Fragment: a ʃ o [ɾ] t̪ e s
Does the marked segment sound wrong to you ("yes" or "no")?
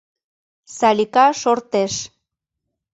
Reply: no